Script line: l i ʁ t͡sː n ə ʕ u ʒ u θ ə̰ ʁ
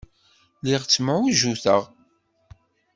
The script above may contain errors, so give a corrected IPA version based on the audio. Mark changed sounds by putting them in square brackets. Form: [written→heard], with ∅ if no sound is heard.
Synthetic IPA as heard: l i ʁ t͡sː [n→m] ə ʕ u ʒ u θ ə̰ ʁ